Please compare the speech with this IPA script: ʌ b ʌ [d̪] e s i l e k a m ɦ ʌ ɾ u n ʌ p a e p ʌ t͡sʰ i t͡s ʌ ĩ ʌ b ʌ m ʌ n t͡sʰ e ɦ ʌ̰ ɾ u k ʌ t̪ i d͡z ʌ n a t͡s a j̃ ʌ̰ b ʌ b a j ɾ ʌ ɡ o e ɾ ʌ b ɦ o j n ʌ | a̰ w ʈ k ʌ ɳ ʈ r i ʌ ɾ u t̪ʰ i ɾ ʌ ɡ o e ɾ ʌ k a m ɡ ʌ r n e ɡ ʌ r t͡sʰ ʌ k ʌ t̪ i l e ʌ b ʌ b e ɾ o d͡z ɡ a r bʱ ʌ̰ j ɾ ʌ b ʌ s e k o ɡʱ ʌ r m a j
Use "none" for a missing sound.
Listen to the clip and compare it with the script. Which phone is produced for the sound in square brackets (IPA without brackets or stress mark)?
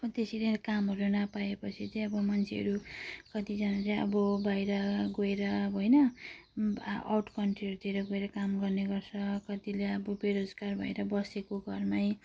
t̪